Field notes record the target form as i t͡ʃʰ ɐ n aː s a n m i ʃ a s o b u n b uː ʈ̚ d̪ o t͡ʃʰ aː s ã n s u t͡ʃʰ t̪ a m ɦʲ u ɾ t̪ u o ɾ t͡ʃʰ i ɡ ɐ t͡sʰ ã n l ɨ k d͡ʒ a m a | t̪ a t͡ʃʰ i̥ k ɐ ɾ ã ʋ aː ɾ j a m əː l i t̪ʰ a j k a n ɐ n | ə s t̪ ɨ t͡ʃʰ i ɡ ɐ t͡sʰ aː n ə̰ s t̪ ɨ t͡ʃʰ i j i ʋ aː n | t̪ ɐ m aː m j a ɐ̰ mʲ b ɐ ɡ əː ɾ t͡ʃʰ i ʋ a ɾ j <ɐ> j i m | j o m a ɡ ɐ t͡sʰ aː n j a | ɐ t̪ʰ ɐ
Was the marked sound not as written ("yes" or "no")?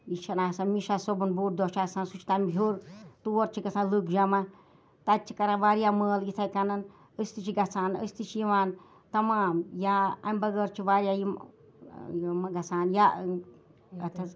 yes